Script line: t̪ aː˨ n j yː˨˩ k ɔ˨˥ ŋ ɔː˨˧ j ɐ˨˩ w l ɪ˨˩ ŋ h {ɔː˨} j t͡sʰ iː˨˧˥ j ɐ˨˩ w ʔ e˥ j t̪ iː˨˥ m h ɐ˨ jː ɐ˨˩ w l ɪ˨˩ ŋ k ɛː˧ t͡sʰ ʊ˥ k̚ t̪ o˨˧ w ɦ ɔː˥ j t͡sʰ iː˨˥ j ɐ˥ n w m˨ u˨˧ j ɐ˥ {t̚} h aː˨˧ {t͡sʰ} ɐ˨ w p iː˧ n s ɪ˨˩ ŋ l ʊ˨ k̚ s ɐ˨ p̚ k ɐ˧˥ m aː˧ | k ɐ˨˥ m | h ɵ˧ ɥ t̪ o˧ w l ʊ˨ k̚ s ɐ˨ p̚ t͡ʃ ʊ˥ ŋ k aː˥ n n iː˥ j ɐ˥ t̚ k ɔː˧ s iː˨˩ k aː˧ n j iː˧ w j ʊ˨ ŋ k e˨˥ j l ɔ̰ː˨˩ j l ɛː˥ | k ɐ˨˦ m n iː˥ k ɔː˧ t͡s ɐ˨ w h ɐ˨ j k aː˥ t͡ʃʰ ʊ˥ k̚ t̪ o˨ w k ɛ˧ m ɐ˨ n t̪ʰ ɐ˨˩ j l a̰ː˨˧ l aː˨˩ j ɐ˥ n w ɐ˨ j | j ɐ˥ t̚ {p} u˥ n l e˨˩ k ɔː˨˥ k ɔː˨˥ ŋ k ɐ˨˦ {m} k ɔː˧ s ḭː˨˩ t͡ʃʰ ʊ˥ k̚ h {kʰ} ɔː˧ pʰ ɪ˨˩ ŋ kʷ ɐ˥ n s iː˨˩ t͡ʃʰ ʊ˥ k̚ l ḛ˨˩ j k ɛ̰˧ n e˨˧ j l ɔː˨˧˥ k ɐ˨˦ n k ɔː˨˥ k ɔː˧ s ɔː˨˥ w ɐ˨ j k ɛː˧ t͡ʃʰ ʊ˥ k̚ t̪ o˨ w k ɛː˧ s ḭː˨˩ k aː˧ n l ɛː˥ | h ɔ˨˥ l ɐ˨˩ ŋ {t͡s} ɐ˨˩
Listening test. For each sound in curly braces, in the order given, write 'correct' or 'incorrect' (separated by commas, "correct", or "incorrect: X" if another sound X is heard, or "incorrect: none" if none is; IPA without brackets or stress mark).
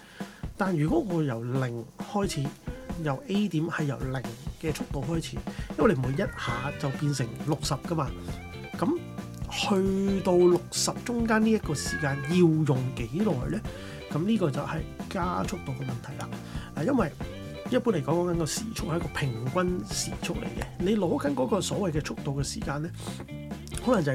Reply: incorrect: ɔː˥, correct, incorrect: t͡s, correct, incorrect: n, incorrect: k, correct